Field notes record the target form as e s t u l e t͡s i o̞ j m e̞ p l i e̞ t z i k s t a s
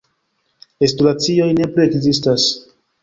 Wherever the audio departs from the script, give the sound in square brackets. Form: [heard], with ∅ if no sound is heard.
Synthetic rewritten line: e s t u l [a] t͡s i o̞ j [n] e̞ p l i e̞ [k] z i [∅] s t a s